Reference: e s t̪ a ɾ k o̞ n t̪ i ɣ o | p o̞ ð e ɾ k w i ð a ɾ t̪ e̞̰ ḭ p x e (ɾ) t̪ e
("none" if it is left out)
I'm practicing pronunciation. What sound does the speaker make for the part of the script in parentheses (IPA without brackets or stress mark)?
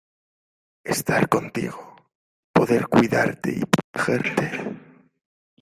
ɾ